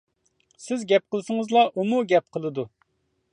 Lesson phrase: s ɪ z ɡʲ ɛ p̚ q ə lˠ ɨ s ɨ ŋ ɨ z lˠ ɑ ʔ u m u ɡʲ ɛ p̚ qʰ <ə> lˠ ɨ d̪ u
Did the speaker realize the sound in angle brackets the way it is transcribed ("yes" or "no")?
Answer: yes